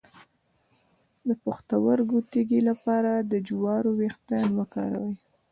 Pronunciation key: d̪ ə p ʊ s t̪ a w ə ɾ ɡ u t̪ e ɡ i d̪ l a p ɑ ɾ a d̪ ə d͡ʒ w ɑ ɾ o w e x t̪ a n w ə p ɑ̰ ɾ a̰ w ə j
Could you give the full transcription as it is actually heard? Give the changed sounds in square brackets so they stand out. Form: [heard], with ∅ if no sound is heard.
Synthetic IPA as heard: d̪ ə p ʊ [x] t̪ a w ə ɾ ɡ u t̪ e ɡ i [∅] l a p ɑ ɾ a d̪ ə d͡ʒ w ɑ ɾ o w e x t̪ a n w ə [k] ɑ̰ ɾ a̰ w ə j